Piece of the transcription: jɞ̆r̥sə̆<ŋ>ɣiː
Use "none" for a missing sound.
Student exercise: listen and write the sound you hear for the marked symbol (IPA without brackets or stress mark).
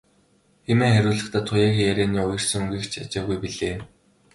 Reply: ŋ